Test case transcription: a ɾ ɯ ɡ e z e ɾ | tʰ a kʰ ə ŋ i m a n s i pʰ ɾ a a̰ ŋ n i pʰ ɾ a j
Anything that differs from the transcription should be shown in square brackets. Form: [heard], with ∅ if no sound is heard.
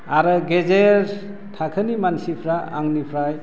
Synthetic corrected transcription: a ɾ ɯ ɡ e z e ɾ | tʰ a kʰ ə [n] i m a n s i pʰ ɾ a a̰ ŋ n i pʰ ɾ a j

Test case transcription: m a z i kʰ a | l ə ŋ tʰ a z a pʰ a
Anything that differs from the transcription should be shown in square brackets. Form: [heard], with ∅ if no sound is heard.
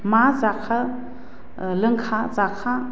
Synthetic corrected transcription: m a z [a] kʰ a | l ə ŋ [kʰ] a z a [kʰ] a

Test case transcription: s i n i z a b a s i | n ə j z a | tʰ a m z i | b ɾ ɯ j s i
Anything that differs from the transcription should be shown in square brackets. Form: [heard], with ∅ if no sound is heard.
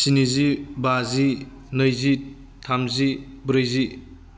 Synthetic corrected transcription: s i n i z [i] b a [z] i | n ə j z [i] | tʰ a m z i | b ɾ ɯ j [z] i

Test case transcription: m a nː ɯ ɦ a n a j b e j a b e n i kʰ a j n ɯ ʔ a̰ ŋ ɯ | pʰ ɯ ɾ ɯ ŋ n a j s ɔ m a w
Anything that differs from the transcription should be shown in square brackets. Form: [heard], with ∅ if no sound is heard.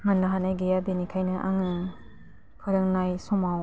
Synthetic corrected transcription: m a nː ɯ ɦ a n a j [ɡ] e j a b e n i kʰ a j n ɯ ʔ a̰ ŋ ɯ | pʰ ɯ ɾ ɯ ŋ n a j s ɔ m a w

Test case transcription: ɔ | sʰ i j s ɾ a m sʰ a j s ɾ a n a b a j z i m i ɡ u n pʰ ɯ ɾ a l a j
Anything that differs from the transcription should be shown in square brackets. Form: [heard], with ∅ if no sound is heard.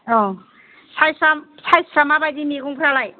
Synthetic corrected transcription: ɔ | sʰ [a] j s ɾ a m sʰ a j s ɾ a [m] a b a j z i m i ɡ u [ŋ] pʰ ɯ ɾ a l a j

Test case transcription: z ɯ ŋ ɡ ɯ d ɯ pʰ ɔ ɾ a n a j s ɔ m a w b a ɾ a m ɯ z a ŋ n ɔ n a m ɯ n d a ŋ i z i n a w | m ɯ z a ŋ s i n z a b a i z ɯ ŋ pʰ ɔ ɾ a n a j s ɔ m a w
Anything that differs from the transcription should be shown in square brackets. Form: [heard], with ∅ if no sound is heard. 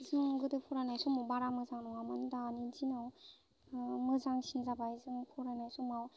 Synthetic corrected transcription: z ɯ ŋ ɡ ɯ d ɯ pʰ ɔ ɾ a n a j s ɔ m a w b a ɾ a m ɯ z a ŋ n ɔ [ŋ] a m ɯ n d a [n] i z i n a w | m ɯ z a ŋ s i n z a b a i z ɯ ŋ pʰ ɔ ɾ a n a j s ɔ m a w

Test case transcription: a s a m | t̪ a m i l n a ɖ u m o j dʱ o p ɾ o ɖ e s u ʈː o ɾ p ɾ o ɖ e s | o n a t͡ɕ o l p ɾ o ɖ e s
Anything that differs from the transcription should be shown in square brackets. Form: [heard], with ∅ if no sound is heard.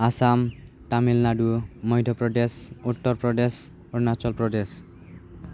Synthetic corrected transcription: a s a m | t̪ a m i l n a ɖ u m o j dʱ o p ɾ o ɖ e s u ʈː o ɾ p ɾ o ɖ e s | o n a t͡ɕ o l p ɾ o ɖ e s

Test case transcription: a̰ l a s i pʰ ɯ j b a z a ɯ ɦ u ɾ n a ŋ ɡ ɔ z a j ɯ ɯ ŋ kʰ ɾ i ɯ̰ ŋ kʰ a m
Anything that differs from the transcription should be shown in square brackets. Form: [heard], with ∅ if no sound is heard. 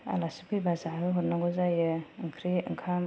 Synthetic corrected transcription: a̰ l a s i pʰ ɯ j b a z a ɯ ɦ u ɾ n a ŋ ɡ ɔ z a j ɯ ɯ ŋ kʰ ɾ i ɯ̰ ŋ kʰ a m

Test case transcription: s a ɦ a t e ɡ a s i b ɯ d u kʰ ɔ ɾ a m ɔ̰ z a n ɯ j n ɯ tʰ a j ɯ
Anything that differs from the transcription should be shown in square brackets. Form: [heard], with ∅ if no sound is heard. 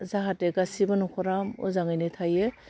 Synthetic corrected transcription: [z] a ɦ a t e ɡ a s i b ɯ [n] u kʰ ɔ ɾ a m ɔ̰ z a [ŋ] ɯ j n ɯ tʰ a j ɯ

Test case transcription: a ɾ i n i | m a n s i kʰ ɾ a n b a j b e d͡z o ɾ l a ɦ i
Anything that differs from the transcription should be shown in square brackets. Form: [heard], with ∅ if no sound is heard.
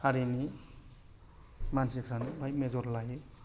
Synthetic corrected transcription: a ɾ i n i | m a n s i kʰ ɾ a n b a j [m] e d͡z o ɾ l a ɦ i

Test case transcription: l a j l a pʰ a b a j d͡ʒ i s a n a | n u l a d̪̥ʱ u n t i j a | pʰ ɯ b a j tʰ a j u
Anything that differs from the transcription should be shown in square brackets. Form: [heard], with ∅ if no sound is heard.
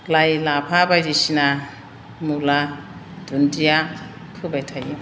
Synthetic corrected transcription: l a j l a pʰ a b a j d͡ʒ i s [i] n a | [m] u l a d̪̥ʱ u n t i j a | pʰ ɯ b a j tʰ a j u

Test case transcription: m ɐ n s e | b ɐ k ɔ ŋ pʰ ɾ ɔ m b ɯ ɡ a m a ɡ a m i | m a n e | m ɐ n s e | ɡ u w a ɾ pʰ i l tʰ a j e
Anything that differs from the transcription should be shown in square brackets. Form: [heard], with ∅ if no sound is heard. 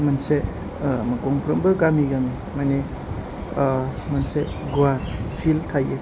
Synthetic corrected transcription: m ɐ n s e | [m] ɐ k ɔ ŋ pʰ ɾ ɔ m b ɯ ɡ a m [i] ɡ a m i | m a n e | m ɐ n s e | ɡ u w a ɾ pʰ i l tʰ a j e

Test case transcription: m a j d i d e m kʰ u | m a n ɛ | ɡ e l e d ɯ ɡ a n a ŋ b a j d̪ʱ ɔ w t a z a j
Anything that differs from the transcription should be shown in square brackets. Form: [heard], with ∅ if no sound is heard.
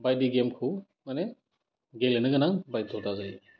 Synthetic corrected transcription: [b] a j d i [ɡ] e m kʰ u | m a n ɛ | ɡ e l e [n] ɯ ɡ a n a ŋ b a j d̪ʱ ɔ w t a z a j

